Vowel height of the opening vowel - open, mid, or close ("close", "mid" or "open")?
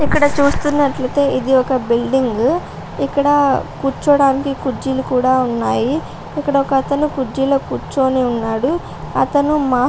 close